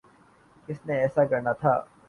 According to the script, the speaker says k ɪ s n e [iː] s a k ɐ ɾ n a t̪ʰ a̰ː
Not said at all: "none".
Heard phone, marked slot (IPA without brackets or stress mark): ɛː